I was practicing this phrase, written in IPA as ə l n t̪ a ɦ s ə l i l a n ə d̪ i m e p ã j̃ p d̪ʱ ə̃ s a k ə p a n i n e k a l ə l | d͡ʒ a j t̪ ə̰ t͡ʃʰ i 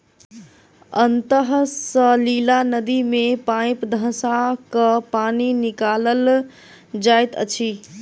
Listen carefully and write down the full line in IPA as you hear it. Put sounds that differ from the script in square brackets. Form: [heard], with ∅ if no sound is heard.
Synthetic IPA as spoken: ə [∅] n t̪ [ə] ɦ s ə l i l a n ə d̪ i m e p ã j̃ p d̪ʱ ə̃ s a k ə p a n i n [i] k a l ə l | d͡ʒ a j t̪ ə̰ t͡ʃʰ i